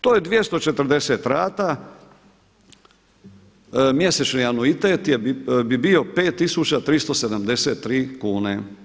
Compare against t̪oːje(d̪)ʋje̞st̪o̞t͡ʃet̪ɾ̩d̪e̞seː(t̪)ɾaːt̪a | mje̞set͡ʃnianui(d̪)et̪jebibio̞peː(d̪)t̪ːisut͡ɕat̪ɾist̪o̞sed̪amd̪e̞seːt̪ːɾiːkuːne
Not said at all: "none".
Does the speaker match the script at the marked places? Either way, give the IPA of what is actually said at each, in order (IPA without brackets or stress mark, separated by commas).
d̪, t̪, t̪, none